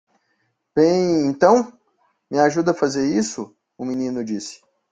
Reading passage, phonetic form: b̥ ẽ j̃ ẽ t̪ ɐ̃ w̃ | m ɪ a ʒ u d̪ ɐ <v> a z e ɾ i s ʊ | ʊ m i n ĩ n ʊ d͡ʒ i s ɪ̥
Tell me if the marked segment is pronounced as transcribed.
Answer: no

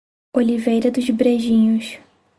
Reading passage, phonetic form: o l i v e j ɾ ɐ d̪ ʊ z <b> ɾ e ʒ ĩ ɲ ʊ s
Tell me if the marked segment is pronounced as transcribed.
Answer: yes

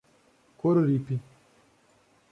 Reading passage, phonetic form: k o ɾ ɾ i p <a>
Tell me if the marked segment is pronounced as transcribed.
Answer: no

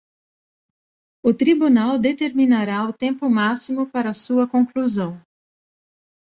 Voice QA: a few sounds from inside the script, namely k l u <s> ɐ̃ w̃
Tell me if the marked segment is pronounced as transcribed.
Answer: no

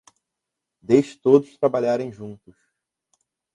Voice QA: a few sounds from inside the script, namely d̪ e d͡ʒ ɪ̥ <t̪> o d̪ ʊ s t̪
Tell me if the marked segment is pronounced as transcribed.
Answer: yes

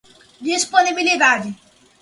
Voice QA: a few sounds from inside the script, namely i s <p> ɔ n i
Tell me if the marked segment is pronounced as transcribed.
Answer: yes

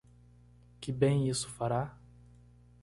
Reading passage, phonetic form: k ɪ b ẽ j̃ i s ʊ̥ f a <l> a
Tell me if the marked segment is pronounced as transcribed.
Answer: no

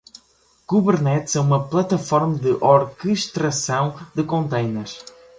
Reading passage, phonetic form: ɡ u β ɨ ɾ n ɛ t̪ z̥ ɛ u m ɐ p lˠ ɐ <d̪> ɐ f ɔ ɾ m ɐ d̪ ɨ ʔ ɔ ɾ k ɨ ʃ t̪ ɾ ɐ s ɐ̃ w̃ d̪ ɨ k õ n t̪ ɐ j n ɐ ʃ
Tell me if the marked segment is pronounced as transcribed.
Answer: no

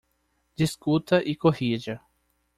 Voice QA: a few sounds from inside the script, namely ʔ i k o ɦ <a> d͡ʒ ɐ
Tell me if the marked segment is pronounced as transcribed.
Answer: no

